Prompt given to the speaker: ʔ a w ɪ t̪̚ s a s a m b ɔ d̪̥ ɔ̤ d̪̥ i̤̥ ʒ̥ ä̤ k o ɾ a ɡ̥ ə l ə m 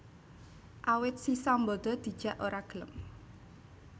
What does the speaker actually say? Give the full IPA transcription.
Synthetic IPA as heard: ʔ a w ɪ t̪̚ s i s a m b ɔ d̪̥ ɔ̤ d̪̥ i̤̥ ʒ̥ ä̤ ʔ o ɾ a ɡ̥ ə l ə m